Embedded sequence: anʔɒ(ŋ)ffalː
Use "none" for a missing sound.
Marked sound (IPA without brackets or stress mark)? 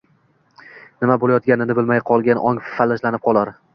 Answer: ŋ